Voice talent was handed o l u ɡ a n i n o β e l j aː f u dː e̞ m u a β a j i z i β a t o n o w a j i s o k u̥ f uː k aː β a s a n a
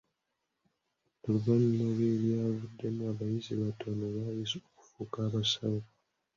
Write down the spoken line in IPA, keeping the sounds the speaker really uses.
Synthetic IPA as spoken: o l u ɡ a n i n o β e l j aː v u dː e̞ m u a β a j i z i β a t o n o β a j i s o k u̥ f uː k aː β a s a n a